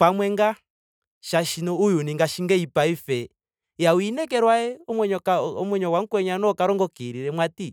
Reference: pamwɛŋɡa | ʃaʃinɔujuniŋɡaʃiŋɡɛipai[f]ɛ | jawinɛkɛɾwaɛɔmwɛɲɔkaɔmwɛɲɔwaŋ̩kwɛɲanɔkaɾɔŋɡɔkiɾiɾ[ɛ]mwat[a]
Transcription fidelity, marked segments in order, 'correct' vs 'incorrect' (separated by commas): correct, correct, incorrect